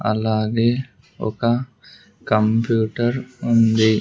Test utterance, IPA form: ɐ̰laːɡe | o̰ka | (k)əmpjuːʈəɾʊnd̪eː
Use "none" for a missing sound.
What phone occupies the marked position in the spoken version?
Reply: k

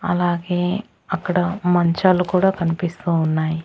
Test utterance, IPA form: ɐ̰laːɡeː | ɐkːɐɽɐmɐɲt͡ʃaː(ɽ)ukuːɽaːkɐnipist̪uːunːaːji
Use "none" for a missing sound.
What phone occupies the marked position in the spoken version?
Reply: l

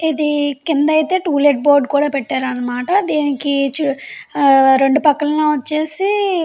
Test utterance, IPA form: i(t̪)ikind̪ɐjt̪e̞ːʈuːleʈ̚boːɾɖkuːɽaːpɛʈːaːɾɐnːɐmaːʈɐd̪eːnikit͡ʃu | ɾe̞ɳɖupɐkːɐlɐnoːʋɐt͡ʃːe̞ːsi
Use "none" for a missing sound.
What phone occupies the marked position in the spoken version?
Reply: d̪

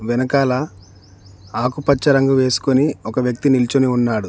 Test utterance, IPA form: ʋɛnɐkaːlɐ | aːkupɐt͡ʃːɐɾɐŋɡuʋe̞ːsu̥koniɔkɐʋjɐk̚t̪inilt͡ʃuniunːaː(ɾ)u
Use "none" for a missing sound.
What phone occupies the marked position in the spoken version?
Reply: ɽ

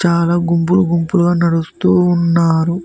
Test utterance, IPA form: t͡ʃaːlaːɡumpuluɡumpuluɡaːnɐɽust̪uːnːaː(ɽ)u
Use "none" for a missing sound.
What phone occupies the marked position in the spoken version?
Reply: ɾ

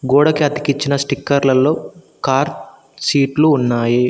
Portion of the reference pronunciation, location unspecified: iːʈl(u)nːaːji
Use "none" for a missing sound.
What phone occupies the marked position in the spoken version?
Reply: uː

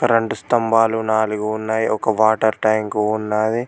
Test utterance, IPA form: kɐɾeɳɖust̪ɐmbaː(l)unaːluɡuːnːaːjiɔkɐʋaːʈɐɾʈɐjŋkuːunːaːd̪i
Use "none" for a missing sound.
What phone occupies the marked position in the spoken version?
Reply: l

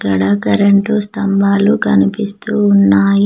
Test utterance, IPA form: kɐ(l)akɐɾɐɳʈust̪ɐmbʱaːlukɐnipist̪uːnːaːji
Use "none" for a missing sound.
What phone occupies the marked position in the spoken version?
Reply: ɽ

